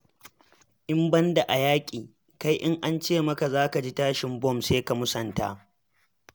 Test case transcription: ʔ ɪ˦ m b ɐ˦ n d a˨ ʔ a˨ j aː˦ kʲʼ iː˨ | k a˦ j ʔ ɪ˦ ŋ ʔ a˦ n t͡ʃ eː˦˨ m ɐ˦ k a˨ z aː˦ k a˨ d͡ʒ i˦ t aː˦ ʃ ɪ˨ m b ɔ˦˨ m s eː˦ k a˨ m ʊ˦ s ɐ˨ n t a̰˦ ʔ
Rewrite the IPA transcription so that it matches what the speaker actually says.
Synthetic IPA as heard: ʔ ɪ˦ m b ɐ˦ n d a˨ ʔ a˨ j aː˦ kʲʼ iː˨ | k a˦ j ʔ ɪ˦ ŋ ʔ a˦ n t͡ʃ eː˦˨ m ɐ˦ k a˨ z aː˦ k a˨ d͡ʒ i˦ t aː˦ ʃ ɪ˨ m b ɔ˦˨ m s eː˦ k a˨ m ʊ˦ s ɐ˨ n t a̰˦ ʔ